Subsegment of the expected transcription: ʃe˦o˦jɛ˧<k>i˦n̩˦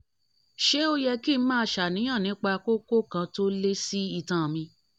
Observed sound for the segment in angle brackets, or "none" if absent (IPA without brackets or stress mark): k